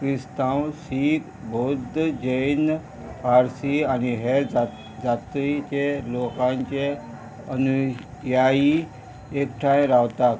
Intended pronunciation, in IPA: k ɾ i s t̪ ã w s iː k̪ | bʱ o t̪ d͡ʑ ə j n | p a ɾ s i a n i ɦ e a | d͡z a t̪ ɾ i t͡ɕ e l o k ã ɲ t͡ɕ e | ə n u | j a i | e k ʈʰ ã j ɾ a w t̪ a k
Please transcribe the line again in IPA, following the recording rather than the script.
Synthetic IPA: k ɾ i s t̪ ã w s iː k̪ | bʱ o d̪ d͡ʑ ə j n | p a ɾ s i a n i ɦ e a | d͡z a t̪ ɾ i t͡ɕ e l o k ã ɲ t͡ɕ e | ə n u | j a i | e k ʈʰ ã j ɾ a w t̪ a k

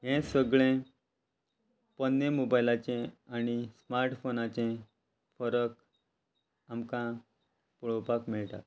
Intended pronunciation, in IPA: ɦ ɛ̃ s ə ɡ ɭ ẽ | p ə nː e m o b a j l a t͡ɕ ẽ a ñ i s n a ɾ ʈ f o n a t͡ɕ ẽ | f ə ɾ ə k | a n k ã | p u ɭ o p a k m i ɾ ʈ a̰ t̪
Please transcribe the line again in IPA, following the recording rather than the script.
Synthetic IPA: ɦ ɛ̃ s ə ɡ ɭ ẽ | p ə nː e m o b a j l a t͡ɕ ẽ a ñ i s m a ɾ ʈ f o n a t͡ɕ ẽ | f ə ɾ ə k | a m k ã | p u ɭ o p a k m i ɭ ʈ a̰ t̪

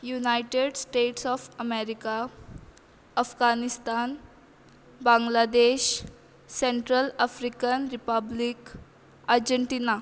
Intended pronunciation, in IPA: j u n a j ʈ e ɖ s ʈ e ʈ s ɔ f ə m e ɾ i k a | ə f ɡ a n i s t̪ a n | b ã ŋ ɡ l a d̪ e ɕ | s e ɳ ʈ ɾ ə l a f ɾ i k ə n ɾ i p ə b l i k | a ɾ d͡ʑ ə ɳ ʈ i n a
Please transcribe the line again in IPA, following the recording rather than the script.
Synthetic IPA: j u n a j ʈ e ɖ s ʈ e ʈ s ɔ f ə m e ɾ i k a | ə f ɡ a n i s t̪ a n | b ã ŋ ɡ l a d̪ e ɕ | s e ɳ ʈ ɾ ə l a f ɾ i k ə n ɾ i p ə b l i k | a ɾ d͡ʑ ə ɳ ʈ i n a

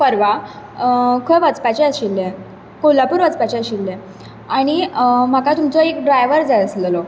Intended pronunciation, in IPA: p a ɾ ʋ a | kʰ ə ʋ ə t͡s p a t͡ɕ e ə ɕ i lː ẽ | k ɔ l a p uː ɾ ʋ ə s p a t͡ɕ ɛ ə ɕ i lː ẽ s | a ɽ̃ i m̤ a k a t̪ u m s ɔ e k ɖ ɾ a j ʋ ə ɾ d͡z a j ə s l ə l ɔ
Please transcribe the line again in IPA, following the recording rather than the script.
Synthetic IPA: p ə ɾ ʋ a | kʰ ə ʋ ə t͡s p a t͡ɕ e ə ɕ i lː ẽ | k o l a p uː ɾ ʋ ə t͡s p a t͡ɕ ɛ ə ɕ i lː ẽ | a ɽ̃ i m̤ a k a t̪ u m t͡s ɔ e k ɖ ɾ a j ʋ ə ɾ d͡z a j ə s l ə l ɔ

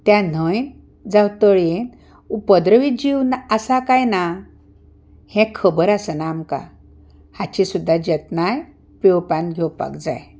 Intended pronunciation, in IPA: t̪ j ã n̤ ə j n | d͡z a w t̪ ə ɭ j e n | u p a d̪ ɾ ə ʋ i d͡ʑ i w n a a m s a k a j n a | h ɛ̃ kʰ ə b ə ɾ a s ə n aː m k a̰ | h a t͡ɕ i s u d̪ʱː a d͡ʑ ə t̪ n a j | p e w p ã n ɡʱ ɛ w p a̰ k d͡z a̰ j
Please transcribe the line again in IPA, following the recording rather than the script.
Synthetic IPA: t̪ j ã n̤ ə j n | d͡z a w t̪ ə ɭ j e n | u p ə d̪ ɾ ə ʋ i d͡ʑ i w n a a s a k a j n a | h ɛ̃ kʰ ə b ə ɾ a s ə n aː m k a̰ | h a t͡ɕ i s u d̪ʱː a d͡ʑ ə t̪ n a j | p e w p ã n ɡʱ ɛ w p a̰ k d͡z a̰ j

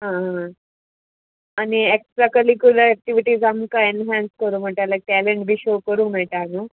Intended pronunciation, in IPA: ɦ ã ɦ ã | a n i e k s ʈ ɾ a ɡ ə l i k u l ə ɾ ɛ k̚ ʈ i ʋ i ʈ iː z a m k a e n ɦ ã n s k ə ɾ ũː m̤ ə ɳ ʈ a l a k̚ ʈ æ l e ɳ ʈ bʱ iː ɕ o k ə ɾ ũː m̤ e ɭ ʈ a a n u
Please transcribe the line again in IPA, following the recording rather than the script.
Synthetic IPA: ɦ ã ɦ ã | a n i e k s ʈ ɾ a k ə l i k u l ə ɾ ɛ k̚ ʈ i ʋ i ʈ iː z a m k a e n ɦ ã n s k ə ɾ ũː m̤ ə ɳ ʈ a l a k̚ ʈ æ l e ɳ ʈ bʱ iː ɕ o k ə ɾ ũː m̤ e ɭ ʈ a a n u

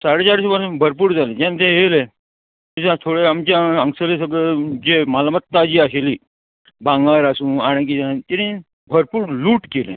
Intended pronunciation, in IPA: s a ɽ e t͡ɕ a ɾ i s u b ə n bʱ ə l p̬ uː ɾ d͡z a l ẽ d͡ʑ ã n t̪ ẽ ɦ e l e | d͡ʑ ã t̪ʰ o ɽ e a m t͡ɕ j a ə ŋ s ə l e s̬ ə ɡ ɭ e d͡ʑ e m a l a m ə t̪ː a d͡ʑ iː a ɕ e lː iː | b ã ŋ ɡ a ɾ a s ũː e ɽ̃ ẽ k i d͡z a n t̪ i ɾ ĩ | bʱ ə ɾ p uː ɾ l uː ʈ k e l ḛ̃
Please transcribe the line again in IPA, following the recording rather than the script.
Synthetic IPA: s a ɽ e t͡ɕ a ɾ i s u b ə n bʱ ə ɾ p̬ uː ɾ d͡z a l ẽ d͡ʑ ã n t̪ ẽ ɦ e l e | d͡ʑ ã t̪ʰ o ɽ e a m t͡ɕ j a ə ŋ s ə l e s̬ ə ɡ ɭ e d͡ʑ e m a l a m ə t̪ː a d͡ʑ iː a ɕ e l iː | b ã ŋ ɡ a ɾ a s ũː a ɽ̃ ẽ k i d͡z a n t̪ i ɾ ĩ | bʱ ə ɾ p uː ɾ l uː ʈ k e l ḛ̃

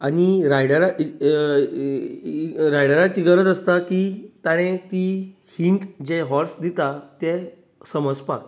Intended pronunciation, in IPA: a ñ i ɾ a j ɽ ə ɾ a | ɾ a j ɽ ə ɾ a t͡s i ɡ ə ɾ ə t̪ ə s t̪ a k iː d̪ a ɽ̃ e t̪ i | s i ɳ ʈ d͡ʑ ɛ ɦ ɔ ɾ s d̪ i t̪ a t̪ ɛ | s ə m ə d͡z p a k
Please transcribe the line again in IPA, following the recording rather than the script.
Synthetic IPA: a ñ i ɾ a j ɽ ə ɾ a | ɾ a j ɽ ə ɾ a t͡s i ɡ ə ɾ ə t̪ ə s t̪ a k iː t̪ a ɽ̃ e t̪ i | h i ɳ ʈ d͡ʑ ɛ ɦ ɔ ɾ s d̪ i t̪ a t̪ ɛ | s ə m ə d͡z p a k

